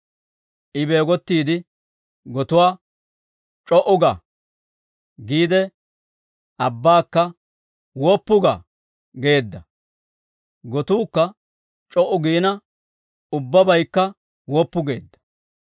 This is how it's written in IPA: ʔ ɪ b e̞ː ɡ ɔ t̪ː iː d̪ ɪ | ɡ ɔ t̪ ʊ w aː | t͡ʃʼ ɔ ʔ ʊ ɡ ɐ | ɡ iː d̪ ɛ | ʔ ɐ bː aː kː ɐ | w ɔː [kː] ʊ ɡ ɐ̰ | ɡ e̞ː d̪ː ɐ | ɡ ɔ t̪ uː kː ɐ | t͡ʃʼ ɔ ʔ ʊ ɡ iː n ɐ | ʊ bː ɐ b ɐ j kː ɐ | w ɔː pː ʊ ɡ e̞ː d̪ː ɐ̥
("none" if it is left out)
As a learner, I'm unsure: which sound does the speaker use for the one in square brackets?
pː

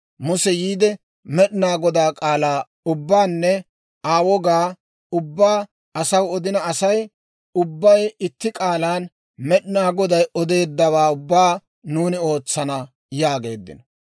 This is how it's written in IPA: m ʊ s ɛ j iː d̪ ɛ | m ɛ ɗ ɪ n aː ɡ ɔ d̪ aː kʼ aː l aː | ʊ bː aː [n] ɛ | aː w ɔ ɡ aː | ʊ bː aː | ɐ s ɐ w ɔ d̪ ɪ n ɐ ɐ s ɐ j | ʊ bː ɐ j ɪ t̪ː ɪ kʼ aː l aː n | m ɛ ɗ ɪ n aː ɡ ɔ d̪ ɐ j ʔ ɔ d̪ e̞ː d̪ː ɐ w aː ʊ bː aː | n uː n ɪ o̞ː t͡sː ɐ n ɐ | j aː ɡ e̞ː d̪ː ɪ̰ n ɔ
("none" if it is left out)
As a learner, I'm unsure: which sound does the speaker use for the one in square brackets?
nː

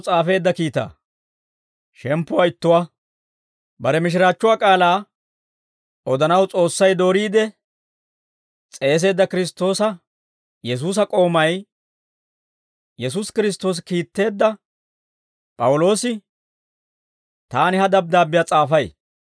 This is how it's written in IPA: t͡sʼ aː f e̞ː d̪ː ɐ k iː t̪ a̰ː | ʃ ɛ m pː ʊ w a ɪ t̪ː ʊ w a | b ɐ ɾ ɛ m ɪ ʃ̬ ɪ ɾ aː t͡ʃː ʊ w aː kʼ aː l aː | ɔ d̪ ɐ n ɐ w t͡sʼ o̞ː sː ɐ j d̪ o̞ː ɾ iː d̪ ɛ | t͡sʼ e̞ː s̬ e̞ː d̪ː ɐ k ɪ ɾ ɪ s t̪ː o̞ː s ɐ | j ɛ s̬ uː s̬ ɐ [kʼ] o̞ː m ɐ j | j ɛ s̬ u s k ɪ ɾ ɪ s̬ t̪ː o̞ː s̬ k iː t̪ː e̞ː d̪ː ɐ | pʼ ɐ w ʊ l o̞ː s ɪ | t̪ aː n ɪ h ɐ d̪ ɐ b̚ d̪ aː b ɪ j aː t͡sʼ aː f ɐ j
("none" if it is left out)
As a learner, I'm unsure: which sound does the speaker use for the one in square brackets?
kʼ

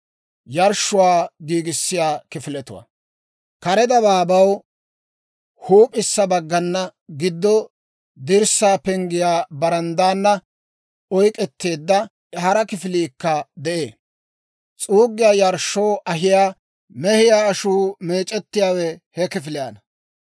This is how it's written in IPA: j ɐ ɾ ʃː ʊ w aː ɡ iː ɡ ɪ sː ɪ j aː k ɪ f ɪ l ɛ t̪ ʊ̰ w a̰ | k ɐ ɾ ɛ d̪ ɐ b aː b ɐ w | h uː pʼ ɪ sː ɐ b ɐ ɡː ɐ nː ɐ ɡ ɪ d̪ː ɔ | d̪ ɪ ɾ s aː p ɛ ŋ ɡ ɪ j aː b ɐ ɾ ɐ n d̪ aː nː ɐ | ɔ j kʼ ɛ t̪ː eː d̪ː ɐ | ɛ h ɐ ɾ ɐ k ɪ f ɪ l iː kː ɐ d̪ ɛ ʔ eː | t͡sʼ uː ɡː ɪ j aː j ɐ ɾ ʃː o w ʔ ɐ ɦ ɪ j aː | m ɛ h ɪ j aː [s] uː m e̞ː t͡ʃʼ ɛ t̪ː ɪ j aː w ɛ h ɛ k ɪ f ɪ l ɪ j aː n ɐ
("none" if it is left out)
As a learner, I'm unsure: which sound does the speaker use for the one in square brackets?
ʃ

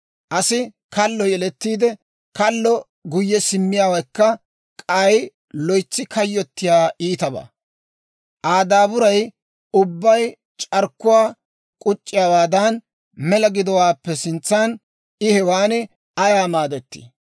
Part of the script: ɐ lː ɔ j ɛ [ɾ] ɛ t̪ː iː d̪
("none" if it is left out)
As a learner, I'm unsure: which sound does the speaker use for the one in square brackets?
l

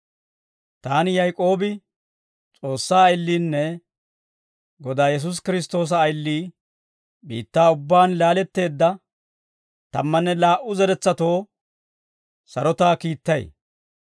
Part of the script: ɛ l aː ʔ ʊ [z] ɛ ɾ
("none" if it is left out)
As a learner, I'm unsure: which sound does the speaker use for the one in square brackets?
z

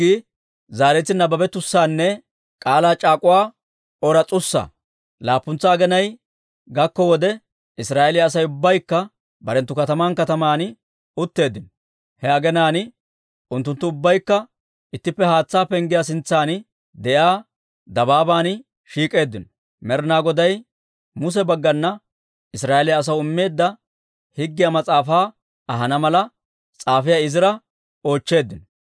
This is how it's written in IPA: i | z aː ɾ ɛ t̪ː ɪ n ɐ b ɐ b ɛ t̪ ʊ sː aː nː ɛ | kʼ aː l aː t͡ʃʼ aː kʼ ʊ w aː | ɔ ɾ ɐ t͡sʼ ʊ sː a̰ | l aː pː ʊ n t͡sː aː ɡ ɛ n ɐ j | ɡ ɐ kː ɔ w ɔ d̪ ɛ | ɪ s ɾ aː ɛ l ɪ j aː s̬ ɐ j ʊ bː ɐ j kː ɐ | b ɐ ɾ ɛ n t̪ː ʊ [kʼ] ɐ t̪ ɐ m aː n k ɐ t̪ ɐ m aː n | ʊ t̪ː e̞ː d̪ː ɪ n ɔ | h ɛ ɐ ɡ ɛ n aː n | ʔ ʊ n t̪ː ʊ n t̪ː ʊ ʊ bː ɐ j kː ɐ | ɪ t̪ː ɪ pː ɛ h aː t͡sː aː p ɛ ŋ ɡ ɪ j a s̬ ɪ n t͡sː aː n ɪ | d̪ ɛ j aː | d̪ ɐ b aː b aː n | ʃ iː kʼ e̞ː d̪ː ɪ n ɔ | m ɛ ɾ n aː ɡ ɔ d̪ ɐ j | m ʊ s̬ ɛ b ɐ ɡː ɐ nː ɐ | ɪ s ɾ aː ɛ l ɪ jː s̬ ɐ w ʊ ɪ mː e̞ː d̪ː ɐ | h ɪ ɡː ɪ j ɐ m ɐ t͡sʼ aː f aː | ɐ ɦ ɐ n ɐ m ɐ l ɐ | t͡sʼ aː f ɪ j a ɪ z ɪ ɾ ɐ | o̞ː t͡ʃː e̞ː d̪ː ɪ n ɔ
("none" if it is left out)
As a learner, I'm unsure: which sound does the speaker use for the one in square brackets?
k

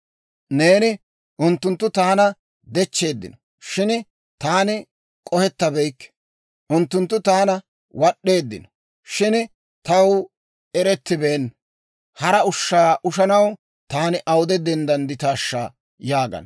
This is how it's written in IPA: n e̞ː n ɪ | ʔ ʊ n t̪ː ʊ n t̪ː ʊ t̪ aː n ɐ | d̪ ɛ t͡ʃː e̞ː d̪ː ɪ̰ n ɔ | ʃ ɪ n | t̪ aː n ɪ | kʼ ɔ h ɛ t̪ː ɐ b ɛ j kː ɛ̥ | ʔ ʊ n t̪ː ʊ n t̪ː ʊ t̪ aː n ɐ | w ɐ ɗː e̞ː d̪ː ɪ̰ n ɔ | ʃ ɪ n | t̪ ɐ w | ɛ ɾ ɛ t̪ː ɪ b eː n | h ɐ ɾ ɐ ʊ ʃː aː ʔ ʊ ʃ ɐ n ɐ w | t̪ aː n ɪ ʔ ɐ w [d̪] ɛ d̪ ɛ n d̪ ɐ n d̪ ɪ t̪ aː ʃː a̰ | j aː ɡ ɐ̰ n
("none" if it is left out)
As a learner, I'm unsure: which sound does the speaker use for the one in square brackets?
d̪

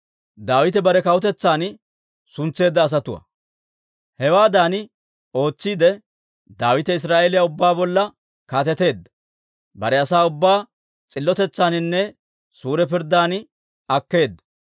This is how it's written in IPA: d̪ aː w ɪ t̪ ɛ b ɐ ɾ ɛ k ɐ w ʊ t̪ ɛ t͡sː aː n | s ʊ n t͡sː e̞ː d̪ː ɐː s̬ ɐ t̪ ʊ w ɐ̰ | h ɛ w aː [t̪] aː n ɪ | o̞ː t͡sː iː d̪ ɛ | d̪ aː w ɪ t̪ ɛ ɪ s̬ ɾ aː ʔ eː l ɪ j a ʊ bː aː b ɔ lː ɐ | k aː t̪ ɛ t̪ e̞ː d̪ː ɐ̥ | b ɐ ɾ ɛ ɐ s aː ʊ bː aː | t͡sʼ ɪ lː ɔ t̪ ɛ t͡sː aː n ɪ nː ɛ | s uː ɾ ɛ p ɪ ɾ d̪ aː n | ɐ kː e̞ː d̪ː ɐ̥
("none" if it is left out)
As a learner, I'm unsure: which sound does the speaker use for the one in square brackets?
d̪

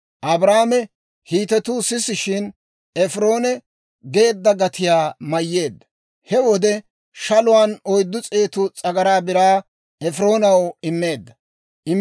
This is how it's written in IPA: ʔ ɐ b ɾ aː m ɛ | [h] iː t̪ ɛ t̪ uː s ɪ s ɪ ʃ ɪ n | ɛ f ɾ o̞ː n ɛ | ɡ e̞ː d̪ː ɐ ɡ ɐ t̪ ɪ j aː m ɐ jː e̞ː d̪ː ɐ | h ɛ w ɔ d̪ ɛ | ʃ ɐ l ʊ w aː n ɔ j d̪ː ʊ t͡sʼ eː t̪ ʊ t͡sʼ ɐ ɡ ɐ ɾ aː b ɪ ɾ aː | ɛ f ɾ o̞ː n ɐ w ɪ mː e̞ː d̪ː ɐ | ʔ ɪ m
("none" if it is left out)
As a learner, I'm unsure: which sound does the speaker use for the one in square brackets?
h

